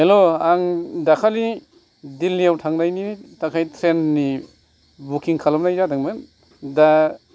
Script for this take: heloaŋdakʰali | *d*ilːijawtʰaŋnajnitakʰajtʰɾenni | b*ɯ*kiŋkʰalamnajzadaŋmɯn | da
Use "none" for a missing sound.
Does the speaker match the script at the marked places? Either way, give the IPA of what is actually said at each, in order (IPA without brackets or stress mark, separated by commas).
d, u